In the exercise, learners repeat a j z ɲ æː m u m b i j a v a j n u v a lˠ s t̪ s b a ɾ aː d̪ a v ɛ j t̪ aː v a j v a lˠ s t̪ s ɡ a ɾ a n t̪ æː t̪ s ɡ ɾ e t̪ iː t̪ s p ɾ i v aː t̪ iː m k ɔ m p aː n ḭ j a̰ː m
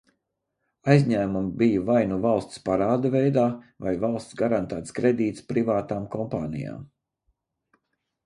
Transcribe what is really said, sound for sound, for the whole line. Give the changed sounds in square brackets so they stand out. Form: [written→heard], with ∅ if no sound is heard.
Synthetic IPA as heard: a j z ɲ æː m u m b i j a v a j n u v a lˠ s t̪ s [b→p] a ɾ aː d̪ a v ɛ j [t̪→d̪] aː v a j v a lˠ s t̪ s ɡ a ɾ a n t̪ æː t̪ s [ɡ→k] ɾ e [t̪→d̪] iː t̪ s p ɾ i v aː t̪ [iː→aː] m k ɔ m p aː n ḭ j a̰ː m